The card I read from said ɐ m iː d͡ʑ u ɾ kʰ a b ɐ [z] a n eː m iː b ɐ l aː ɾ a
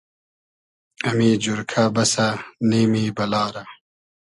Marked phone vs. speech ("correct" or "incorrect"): incorrect